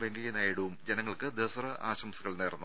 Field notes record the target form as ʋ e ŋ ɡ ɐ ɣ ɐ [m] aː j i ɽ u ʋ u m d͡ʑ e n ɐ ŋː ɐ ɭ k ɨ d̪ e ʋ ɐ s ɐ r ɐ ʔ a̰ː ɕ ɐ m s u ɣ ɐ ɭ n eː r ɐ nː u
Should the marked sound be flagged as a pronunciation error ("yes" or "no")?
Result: yes